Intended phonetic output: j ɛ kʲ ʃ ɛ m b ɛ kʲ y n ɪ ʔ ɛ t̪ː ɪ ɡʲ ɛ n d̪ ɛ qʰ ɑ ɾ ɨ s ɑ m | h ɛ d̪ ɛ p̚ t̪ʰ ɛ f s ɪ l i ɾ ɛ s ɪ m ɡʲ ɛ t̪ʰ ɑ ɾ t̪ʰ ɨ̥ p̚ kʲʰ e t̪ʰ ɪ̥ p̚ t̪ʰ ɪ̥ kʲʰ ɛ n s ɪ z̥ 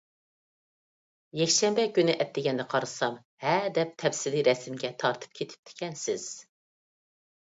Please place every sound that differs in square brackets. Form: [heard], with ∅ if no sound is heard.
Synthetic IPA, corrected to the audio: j ɛ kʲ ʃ ɛ m b ɛ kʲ y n ɪ ʔ ɛ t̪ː ɪ ɡʲ ɛ n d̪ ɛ qʰ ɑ ɾ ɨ s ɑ m | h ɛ d̪ ɛ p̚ t̪ʰ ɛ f s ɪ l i ɾ ɛ s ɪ m ɡʲ ɛ t̪ʰ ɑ ɾ t̪ʰ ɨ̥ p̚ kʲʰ e t̪ʰ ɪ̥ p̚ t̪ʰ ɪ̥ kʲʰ ɛ n s ɪ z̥